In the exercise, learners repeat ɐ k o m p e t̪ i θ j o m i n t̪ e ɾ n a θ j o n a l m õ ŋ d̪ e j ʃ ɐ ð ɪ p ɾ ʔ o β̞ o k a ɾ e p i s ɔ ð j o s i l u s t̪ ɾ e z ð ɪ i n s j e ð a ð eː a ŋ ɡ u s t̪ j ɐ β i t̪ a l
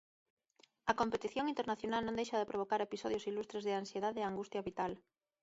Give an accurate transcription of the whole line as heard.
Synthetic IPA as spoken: ɐ k o m p e t̪ i θ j o ŋ i n t̪ e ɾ n a θ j o n a l n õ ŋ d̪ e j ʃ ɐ ð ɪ p ɾ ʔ o β̞ o k a ɾ e p i s ɔ ð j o s i l u s t̪ ɾ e z ð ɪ a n s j e ð a ð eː a ŋ ɡ u s t̪ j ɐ β i t̪ a l